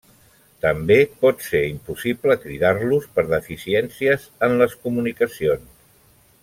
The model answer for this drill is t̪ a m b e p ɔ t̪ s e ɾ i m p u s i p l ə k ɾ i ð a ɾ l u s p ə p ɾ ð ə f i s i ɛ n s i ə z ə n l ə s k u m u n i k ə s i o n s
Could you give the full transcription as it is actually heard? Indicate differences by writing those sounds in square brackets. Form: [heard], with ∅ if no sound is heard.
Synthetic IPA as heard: t̪ [ə] m b e p ɔ t̪ s e ɾ i m p u s i p l ə k ɾ i ð a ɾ l u s p ə [∅] ɾ ð ə f i s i ɛ n s i ə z ə n l ə s k u m u n i k ə s i o n s

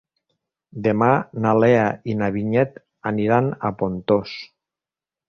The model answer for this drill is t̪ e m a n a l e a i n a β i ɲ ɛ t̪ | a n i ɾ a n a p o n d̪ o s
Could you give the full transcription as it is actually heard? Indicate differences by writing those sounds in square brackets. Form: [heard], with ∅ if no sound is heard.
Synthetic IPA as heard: [d̪] e m a n a l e a i n a β i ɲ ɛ t̪ | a n i ɾ a n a p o n [t̪] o s

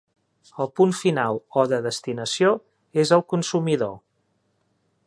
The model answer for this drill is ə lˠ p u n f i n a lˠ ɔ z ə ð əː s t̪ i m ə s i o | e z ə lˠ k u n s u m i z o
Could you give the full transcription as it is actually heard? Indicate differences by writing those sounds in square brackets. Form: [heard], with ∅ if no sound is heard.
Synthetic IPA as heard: ə lˠ p u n f i n a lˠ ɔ [ð] ə ð [ə] s t̪ i [n] ə s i o | e z ə lˠ k u n s u m i [ð] o

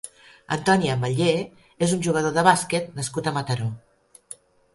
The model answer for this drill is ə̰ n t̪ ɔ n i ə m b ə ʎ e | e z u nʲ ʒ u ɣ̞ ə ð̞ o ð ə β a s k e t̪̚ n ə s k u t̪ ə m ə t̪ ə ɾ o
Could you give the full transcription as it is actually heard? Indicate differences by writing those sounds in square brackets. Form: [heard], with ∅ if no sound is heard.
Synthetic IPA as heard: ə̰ n t̪ ɔ n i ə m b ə ʎ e | e z u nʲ ʒ u ɣ̞ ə ð̞ o ð ə β a s k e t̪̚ n ə s k u t̪ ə m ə t̪ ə ɾ o

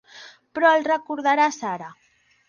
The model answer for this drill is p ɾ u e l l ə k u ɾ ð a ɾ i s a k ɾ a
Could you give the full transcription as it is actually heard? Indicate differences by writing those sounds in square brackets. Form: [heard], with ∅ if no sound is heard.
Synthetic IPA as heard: p ɾ [ɔ] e l [r] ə k u ɾ ð a ɾ [a] s a [∅] ɾ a

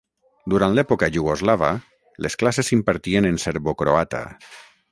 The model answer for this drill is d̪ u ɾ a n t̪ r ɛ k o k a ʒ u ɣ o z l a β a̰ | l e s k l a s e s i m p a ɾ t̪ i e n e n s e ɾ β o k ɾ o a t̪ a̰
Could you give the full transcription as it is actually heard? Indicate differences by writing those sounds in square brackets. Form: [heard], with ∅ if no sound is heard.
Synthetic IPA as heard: d̪ u ɾ a n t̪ [l] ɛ [p] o k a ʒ u ɣ o z l a β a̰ | l e s k l a s e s i m p a ɾ t̪ i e n e n s e ɾ β o k ɾ o a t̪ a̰

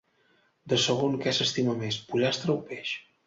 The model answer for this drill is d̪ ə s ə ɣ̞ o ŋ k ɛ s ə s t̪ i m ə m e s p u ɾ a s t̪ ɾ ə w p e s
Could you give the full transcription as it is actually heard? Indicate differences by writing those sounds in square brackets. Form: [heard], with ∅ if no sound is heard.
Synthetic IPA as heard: d̪ ə s ə ɣ̞ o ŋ k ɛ s ə s t̪ i m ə m e s p u [ʎ] a s t̪ ɾ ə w p e [ʃ]

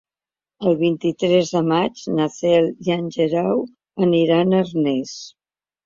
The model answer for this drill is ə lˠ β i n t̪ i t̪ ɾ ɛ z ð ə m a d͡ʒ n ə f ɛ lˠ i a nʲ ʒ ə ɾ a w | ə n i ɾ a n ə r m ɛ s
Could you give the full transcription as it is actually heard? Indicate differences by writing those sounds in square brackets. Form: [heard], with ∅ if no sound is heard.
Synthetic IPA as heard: ə lˠ β i n t̪ i t̪ ɾ ɛ z ð ə m a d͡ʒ n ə [θ] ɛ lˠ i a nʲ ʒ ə ɾ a w | ə n i ɾ a n ə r [n] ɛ s

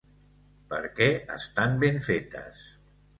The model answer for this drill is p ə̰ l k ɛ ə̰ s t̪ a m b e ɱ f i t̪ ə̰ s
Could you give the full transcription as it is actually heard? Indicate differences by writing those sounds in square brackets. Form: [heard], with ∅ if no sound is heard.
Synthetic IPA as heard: p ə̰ [ɾ] k ɛ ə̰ s t̪ a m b e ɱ f [e] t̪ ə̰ s

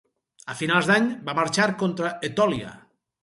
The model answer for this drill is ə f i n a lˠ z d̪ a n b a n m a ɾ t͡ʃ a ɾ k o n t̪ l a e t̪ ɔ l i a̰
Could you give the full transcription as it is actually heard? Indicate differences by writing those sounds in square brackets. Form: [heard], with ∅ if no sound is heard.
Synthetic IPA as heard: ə f i n a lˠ z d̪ a [ɲ] b a [∅] m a ɾ t͡ʃ a ɾ k o n t̪ [ɾ] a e t̪ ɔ l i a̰

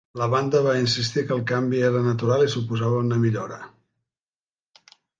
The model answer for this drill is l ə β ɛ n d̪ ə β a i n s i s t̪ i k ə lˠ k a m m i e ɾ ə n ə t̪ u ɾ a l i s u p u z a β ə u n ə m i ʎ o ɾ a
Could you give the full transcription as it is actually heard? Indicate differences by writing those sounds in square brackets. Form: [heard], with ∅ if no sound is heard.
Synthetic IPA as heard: l ə β [a] n d̪ ə β a i n s i s t̪ i k ə lˠ k a m [b] i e ɾ ə n ə t̪ u ɾ a l i s u p u z a β ə u n ə m i ʎ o ɾ [ə]

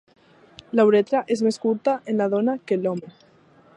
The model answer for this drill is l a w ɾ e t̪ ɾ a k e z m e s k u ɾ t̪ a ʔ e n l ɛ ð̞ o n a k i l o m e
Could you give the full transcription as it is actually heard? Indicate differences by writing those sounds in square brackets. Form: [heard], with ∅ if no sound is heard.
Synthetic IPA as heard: l a w ɾ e t̪ ɾ a [ʔ] e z m e s k u ɾ t̪ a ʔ e n l [a] ð̞ o n a k [e] l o m e

